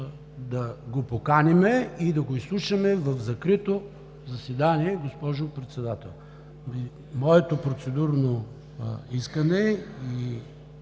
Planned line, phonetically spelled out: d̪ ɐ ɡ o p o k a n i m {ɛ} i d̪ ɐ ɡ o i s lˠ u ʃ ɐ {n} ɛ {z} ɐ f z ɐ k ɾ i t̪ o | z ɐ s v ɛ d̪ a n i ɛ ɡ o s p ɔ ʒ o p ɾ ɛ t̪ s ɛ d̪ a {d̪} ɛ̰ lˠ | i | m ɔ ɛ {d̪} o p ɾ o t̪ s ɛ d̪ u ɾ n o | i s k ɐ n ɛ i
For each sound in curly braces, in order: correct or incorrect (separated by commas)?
correct, incorrect, incorrect, incorrect, incorrect